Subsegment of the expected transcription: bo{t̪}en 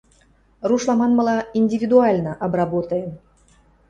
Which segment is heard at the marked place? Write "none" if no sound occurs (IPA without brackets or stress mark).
t̪